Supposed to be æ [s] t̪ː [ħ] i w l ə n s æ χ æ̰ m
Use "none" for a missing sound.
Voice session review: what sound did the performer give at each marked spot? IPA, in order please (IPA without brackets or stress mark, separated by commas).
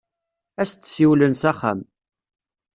s, s